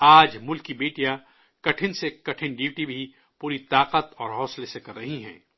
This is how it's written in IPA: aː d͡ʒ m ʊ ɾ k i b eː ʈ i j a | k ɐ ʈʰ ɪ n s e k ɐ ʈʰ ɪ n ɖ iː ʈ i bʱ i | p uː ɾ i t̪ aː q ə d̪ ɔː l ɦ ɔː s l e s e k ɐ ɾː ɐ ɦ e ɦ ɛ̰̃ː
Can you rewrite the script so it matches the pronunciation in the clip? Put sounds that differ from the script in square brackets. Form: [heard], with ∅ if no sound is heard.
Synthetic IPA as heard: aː d͡ʒ m ʊ [l] k i b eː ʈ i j a | k ɐ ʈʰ ɪ n s e k ɐ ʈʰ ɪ n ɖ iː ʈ i bʱ i | p uː ɾ i t̪ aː q ə [t̪] ɔː [ɾ] ɦ ɔː s l e s e k ɐ ɾː ɐ ɦ [i] ɦ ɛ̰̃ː

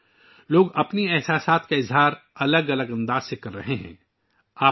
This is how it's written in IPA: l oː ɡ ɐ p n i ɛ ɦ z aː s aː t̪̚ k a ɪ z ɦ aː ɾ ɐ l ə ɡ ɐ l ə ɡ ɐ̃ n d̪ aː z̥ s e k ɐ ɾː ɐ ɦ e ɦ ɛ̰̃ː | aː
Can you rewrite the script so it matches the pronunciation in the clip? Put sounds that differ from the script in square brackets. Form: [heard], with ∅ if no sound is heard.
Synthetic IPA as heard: l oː ɡ ɐ p n i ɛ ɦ [s] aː s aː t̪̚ k a ɪ z ɦ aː ɾ ɐ l ə ɡ ɐ l ə ɡ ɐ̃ n d̪ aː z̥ s e k ɐ ɾː ɐ ɦ e ɦ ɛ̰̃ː | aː

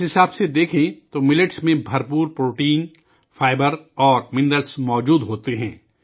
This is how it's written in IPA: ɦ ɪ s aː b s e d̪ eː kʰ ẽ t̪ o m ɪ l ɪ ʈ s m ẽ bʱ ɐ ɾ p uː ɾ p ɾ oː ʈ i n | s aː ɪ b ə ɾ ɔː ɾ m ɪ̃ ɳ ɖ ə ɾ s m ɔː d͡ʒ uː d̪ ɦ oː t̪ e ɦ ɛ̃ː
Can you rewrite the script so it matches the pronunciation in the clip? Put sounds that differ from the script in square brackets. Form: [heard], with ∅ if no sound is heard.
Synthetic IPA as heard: ɦ ɪ s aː b s e d̪ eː kʰ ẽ t̪ o m ɪ l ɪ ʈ s m ẽ bʱ ɐ ɾ p uː ɾ p ɾ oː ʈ [iː] n | [f] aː ɪ b ə ɾ ɔː ɾ m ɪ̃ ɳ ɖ ə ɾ s m ɔː d͡ʒ uː d̪ ɦ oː t̪ e ɦ ɛ̃ː

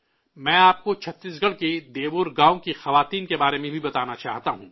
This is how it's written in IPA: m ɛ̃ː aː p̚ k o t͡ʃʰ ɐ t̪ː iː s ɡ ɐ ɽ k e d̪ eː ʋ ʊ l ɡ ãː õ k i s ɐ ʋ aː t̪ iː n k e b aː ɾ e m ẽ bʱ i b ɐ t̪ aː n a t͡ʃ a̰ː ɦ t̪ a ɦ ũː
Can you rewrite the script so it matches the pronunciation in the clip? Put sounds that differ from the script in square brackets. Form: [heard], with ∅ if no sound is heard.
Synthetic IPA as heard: m ɛ̃ː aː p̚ k o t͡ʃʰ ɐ t̪ː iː s ɡ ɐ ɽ k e d̪ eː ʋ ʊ [ɾ] ɡ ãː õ k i [x] ɐ ʋ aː t̪ iː n k e b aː ɾ e m ẽ bʱ i b ɐ t̪ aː n a t͡ʃ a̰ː ɦ t̪ a ɦ ũː

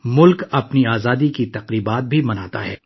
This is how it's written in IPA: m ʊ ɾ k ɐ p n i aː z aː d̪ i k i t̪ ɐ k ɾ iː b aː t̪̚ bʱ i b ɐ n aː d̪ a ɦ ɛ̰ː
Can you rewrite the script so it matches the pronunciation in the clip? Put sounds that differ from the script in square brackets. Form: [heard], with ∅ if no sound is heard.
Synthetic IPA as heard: m ʊ [l] k ɐ p n i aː z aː d̪ i k i t̪ ɐ [q] ɾ iː b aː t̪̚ bʱ i [m] ɐ n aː [t̪] a ɦ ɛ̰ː

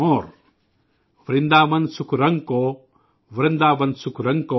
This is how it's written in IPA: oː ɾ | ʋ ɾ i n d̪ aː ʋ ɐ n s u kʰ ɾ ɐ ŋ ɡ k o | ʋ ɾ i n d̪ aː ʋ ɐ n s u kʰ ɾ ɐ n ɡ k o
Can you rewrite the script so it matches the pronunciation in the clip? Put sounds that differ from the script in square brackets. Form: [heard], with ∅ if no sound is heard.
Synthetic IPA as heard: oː ɾ | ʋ ɾ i n d̪ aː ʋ ɐ n s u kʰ ɾ ɐ ŋ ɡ k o | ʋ ɾ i n d̪ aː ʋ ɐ n s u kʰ ɾ ɐ [ŋ] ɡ k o

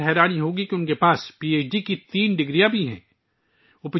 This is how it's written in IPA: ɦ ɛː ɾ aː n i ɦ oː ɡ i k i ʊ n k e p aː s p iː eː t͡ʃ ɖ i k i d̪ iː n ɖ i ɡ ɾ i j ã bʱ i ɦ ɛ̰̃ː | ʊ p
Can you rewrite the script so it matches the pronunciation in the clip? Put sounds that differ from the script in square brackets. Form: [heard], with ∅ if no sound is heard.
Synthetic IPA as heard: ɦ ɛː ɾ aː n i ɦ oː ɡ i k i ʊ n k e p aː s p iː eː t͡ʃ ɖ i k i [t̪] iː n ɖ [ɪ] ɡ ɾ i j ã bʱ i ɦ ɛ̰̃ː | ʊ p

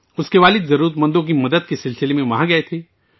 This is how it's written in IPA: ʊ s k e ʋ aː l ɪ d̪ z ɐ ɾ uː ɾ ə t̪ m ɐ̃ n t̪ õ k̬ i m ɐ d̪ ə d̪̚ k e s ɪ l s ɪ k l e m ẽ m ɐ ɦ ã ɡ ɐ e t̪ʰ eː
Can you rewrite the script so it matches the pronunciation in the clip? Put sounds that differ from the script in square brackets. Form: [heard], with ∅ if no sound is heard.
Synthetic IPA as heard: ʊ s k e ʋ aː l ɪ d̪ z ɐ ɾ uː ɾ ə t̪ m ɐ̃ n [d̪] õ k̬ i m ɐ d̪ ə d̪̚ k e s ɪ l s ɪ [∅] l e m ẽ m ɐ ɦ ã ɡ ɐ e t̪ʰ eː

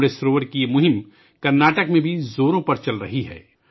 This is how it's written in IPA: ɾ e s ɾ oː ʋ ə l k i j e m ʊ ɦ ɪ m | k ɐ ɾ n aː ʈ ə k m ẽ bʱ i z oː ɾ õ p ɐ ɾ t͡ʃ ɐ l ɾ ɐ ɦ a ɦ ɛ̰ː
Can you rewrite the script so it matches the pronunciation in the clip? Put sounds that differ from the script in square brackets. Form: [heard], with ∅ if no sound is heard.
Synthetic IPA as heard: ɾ e s ɾ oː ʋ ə [ɾ] k i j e m ʊ ɦ ɪ m | k ɐ ɾ n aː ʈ ə k m ẽ bʱ i z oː ɾ õ p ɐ ɾ t͡ʃ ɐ l ɾ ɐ ɦ [i] ɦ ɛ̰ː

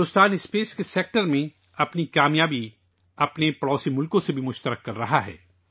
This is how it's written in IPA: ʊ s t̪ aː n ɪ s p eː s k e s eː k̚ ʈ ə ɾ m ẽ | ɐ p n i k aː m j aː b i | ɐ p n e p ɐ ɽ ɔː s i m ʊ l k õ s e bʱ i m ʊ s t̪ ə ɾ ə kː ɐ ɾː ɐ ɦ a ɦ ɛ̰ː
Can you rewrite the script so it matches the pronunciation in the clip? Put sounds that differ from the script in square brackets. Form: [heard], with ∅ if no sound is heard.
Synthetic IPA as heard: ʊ s t̪ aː n ɪ s p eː s k e s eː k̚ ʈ ə ɾ m ẽ | ɐ p n i k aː m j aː b i | ɐ p n e p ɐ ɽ ɔː s i m ʊ l k õ s e bʱ i m ʊ [ʃ] t̪ ə ɾ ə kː ɐ ɾː ɐ ɦ a ɦ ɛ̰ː

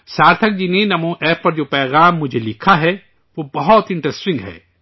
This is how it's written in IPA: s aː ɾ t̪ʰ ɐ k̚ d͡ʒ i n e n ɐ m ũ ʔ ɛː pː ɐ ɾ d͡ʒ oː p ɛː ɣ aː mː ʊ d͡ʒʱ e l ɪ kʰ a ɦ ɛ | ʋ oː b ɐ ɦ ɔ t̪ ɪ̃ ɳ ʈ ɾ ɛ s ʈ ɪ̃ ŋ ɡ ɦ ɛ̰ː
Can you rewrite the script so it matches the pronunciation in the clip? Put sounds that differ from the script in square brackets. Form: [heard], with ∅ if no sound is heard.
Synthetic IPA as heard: s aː ɾ t̪ʰ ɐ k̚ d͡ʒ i n e n ɐ m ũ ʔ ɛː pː ɐ ɾ d͡ʒ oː p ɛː ɣ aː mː ʊ d͡ʒʱ e l ɪ kʰ a ɦ ɛ | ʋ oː b ɐ ɦ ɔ t̪ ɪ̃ ɳ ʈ ɾ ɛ s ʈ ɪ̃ ŋ ɡ ɦ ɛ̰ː

